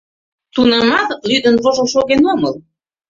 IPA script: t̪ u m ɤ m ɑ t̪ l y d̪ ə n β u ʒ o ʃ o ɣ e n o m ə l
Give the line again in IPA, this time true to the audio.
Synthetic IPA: t̪ u n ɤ m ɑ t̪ l y d̪ ə n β o ʒ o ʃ o ɣ e n o m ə l